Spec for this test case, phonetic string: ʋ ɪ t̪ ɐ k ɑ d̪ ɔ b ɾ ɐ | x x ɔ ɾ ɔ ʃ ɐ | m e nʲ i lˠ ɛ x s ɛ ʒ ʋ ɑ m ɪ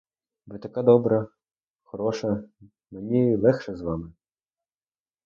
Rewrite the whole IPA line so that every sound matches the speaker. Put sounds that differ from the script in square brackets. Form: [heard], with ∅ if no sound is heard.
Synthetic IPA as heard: ʋ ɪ t̪ ɐ k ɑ d̪ ɔ b ɾ ɐ | x x ɔ ɾ ɔ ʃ ɐ | m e nʲ i lˠ ɛ x [ʃ] ɛ [z] ʋ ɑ m ɪ

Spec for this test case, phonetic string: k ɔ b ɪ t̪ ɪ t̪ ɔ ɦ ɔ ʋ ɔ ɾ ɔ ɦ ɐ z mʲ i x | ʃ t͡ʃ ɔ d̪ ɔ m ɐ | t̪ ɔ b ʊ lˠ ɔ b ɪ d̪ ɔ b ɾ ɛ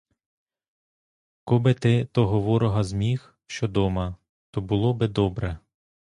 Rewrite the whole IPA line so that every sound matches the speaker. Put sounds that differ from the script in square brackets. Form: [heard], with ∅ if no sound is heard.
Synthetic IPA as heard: k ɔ b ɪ t̪ ɪ t̪ ɔ ɦ ɔ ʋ ɔ ɾ ɔ ɦ ɐ z mʲ i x | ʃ t͡ʃ ɔ d̪ ɔ m ɐ | t̪ ɔ b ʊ lˠ ɔ b ɪ d̪ ɔ b ɾ ɛ

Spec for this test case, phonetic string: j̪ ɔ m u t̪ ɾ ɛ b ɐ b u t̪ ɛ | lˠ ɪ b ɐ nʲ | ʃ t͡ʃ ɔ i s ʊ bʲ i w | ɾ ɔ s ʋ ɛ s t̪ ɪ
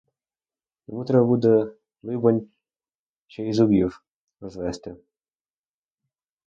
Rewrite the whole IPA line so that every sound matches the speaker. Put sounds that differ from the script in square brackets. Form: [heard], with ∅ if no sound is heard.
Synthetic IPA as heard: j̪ ɔ m u t̪ ɾ ɛ b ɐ b u [d̪] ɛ | lˠ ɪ b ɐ nʲ | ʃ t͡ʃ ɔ i [z] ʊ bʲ i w | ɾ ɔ [z] ʋ ɛ s t̪ ɪ

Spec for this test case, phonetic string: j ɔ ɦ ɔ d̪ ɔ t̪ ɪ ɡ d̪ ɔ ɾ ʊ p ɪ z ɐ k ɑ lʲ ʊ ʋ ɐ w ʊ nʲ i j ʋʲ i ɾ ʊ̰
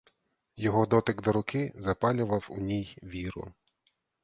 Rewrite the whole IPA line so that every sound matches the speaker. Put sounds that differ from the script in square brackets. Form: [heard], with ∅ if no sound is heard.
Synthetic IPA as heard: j ɔ ɦ ɔ d̪ ɔ t̪ ɪ ɡ d̪ ɔ ɾ ʊ [k] ɪ z ɐ [p] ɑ lʲ ʊ ʋ ɐ w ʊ nʲ i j ʋʲ i ɾ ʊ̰

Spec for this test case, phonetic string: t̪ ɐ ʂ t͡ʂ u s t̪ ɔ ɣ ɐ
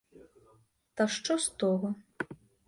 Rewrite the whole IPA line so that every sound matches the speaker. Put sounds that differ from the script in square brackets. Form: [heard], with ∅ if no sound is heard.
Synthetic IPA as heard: t̪ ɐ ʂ t͡ʂ [ɔ] s t̪ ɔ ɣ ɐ

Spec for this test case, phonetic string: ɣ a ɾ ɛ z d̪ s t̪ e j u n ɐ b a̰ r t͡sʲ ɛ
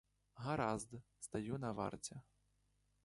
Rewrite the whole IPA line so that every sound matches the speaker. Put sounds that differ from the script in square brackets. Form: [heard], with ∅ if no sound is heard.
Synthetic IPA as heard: ɣ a ɾ [a] z d̪ s t̪ [a] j u n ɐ [v] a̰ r t͡sʲ ɛ

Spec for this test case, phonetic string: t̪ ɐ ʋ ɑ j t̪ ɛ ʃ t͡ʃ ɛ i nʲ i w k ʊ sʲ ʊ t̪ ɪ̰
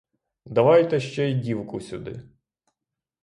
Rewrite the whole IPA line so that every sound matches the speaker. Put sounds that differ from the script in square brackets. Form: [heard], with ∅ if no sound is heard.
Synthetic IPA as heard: [d̪] ɐ ʋ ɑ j t̪ ɛ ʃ t͡ʃ ɛ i [dʲ] i w k ʊ sʲ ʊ [d̪] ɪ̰

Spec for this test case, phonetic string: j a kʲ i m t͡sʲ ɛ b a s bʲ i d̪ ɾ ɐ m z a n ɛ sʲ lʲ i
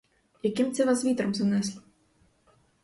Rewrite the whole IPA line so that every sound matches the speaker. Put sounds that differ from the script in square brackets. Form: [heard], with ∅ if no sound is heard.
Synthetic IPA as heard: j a kʲ i m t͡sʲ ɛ [v] a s [vʲ] i [t̪] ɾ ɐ m z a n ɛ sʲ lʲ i

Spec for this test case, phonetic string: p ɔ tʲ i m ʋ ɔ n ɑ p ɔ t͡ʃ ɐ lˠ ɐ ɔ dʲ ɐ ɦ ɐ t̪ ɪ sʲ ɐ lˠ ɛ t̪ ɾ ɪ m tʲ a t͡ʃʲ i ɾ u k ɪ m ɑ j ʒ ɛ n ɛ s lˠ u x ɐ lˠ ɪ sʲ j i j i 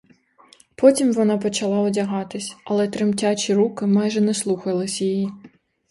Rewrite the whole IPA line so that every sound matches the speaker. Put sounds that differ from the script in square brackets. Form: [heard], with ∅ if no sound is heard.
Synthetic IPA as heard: p ɔ tʲ i m ʋ ɔ n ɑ p ɔ t͡ʃ ɐ lˠ [ɑ] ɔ dʲ ɐ ɦ [ɑ] t̪ ɪ sʲ ɐ lˠ ɛ t̪ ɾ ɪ m tʲ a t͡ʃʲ i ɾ u k ɪ m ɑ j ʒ ɛ n ɛ s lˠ u x ɐ lˠ ɪ sʲ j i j i

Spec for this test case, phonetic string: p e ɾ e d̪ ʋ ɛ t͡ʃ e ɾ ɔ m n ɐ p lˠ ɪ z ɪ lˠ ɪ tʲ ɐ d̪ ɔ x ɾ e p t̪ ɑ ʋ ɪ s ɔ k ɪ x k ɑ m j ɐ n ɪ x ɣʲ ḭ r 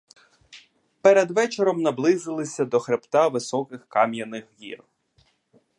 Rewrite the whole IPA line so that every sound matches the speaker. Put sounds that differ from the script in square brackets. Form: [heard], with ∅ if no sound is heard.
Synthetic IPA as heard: p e ɾ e d̪ ʋ ɛ t͡ʃ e ɾ ɔ m n ɐ [b] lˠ ɪ z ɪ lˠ ɪ [sʲ] ɐ d̪ ɔ x ɾ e p t̪ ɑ ʋ ɪ s ɔ k ɪ x k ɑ m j ɐ n ɪ x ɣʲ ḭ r

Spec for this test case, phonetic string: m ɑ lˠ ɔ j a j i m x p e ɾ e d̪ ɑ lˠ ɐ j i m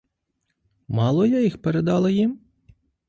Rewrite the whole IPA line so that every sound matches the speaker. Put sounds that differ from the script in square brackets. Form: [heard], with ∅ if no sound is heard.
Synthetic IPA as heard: m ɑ lˠ ɔ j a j i [∅] x p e ɾ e d̪ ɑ lˠ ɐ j i m

